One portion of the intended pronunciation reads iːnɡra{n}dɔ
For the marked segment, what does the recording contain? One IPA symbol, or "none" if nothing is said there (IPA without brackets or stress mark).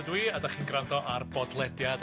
n